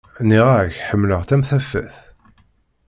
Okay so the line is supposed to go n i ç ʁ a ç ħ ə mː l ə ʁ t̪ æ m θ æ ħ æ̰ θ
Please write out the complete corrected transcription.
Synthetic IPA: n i ʁ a ç ħ ə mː l ə ʁ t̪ æ m θ æ f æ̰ θ